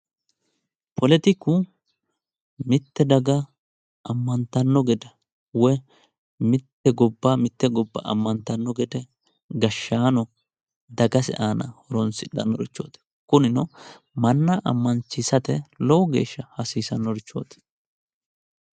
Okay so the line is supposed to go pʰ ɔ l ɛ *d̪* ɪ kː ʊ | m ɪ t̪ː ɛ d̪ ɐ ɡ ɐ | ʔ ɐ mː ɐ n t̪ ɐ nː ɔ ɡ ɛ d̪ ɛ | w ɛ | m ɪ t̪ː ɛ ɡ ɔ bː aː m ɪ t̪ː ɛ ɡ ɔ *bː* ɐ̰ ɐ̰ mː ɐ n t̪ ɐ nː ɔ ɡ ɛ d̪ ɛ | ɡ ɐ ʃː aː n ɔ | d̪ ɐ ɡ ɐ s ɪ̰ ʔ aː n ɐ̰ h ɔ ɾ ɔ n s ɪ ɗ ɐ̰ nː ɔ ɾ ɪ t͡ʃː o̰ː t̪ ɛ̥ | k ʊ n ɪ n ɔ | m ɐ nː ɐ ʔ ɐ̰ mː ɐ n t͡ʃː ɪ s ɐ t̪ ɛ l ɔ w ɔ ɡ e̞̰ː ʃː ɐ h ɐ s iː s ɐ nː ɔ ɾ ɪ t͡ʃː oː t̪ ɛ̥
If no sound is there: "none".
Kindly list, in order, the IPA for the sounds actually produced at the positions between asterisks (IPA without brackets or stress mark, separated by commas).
t̪, bː